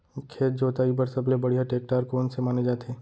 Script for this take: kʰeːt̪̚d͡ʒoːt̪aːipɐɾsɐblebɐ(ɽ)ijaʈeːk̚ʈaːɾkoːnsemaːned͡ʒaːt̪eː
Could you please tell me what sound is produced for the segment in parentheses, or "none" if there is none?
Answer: ɽ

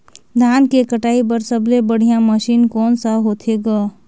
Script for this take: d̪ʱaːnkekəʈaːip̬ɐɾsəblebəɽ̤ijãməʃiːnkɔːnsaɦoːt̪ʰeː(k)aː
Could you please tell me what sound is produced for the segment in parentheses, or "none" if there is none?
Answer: ɡ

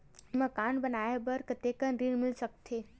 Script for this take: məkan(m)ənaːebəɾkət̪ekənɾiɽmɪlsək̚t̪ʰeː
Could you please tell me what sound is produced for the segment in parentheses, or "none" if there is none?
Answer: b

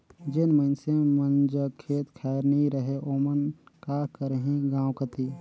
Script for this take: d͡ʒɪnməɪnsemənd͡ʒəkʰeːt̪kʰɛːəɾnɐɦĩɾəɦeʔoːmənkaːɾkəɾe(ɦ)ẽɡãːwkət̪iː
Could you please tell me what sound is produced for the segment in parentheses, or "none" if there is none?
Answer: ɦ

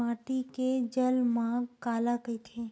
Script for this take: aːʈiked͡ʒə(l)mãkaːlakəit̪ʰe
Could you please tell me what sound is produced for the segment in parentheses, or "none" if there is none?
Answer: l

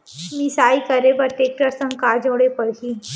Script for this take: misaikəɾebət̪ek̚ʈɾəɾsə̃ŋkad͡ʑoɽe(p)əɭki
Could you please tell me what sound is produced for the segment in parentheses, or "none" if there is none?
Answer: p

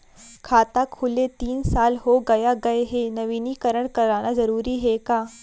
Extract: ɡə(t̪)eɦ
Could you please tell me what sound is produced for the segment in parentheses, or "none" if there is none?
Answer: none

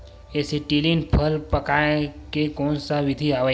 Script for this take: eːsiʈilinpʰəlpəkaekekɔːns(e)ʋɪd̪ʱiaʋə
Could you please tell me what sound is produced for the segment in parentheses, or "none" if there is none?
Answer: a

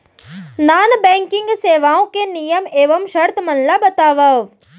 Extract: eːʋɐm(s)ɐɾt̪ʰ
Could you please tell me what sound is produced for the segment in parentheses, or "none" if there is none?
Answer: ʃ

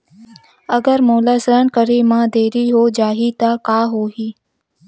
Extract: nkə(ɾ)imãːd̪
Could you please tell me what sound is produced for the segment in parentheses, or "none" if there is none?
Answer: ɾ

